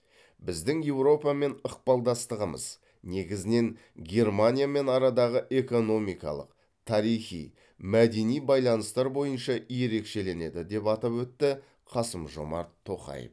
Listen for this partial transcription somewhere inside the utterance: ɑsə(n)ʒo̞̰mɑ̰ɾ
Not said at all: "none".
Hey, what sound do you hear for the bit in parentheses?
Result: m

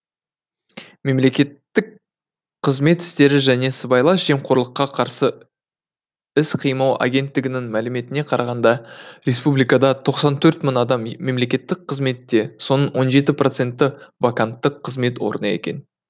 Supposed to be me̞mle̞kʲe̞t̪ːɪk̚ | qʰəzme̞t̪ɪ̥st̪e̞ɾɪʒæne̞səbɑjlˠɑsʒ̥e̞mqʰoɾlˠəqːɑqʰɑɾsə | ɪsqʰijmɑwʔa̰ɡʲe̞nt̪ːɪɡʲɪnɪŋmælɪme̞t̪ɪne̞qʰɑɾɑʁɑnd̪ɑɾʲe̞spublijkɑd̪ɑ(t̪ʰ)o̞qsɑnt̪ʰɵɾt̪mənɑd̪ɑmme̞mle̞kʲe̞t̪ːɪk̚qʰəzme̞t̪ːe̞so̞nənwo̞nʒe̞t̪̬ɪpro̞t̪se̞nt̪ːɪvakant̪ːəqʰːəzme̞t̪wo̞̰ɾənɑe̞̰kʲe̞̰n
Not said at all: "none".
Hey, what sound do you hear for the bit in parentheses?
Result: t̪ʰ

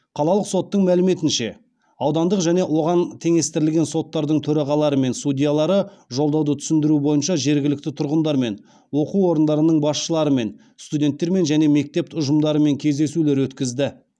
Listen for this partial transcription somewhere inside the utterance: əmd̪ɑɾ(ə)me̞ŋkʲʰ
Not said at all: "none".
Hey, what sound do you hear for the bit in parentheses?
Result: ə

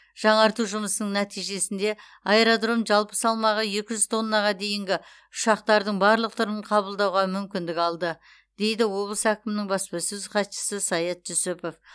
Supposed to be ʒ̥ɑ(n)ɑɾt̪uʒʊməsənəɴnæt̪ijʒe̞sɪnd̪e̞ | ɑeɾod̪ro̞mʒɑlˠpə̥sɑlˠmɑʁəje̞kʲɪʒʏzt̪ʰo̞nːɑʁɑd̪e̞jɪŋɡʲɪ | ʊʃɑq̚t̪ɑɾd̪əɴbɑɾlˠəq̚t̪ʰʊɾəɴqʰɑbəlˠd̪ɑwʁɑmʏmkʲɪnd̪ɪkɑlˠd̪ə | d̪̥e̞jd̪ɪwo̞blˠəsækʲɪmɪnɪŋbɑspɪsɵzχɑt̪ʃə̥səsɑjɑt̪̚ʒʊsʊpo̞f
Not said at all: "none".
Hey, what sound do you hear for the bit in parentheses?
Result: ɴ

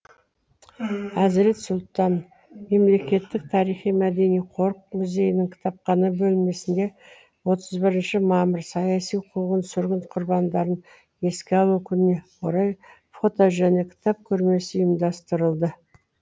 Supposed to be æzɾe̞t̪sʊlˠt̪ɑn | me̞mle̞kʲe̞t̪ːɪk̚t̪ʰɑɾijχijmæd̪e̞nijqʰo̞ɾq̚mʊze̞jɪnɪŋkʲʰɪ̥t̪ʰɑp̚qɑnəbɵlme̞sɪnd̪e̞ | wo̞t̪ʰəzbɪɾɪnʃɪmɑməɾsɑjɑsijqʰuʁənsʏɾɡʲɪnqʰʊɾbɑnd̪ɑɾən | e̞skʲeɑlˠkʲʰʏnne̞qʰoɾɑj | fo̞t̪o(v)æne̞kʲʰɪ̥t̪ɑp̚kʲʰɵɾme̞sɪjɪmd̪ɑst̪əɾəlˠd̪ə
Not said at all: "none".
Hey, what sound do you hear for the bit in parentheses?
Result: ʒ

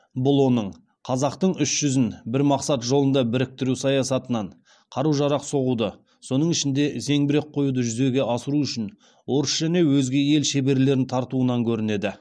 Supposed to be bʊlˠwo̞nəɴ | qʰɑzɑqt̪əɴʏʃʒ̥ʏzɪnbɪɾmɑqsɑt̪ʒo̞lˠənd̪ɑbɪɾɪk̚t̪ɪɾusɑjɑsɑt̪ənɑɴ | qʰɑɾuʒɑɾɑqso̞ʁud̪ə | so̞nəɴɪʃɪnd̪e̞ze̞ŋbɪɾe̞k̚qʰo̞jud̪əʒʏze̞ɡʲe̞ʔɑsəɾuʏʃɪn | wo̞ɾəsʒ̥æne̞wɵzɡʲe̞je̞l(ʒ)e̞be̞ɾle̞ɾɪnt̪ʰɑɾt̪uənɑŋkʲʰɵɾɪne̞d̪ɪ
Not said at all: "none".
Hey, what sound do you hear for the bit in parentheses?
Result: ʃ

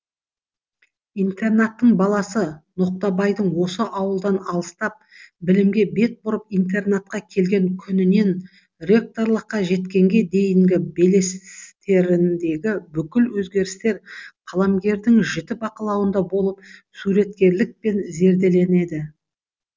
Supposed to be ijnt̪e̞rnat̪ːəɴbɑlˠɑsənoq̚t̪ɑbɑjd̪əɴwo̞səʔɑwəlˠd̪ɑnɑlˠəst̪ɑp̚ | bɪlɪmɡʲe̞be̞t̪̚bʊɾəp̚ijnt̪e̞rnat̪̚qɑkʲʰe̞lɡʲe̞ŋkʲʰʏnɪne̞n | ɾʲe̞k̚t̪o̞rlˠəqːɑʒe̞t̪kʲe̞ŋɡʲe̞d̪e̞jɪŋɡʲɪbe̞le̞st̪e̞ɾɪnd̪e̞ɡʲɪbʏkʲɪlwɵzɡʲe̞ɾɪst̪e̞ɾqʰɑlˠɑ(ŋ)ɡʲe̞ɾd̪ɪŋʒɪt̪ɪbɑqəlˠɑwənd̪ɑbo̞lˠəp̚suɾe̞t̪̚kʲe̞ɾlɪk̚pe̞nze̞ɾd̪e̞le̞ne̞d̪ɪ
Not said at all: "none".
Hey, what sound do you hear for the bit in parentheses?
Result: m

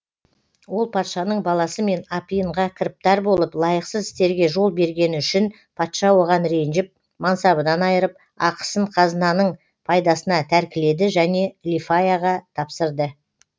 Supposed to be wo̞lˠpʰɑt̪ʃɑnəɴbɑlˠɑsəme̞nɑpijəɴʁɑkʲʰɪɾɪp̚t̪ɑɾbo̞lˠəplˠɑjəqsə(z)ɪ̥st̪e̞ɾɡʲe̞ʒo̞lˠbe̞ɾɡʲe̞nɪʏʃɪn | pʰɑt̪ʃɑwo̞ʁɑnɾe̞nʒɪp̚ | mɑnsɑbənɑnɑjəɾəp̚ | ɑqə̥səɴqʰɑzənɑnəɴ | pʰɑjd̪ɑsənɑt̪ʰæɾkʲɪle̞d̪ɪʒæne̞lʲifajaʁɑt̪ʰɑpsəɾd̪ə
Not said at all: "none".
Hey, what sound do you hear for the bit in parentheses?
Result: z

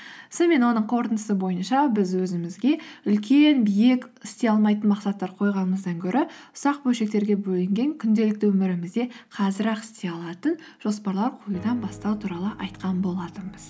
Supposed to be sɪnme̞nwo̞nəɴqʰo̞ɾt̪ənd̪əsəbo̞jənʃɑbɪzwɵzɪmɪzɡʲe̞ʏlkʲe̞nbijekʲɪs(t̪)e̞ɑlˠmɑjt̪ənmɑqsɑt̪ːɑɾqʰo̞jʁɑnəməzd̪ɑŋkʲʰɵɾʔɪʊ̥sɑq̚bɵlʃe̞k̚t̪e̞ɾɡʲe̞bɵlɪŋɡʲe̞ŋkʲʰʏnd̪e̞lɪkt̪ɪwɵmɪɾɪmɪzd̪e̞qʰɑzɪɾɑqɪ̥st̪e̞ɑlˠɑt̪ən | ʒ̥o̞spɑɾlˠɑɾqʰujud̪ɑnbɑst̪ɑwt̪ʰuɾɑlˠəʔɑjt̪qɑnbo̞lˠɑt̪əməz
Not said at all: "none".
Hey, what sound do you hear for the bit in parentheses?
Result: t̪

